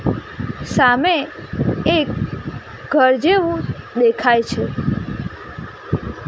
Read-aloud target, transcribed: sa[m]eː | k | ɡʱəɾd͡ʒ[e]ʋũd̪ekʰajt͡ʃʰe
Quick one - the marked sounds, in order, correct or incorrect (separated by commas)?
correct, correct